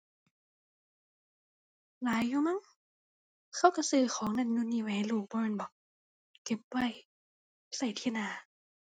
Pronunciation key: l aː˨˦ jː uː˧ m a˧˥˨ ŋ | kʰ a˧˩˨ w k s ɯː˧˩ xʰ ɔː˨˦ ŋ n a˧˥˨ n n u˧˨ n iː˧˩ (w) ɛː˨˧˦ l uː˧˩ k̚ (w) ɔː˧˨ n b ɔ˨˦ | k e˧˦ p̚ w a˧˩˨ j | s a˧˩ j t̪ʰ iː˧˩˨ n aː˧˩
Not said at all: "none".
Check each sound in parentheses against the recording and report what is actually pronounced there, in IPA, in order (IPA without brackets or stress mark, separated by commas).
w, b